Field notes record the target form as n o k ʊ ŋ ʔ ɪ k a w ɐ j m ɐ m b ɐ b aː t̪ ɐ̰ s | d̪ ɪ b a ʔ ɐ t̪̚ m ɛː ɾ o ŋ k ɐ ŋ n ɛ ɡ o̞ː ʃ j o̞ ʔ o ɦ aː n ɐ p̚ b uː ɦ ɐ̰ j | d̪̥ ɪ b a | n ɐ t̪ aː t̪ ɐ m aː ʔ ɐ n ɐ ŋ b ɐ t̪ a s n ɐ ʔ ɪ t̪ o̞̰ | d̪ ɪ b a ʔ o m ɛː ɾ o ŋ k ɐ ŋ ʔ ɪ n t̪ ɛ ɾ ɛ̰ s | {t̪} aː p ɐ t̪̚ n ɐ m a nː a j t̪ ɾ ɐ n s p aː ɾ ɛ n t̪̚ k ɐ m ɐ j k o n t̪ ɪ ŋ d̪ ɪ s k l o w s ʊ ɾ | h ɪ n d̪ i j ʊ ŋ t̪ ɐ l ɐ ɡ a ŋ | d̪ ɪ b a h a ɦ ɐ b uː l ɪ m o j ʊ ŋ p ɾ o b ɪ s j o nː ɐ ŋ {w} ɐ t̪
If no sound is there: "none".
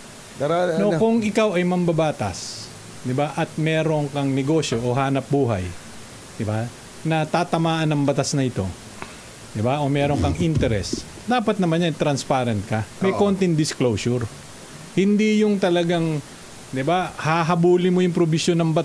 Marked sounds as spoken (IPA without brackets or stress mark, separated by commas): d̪, b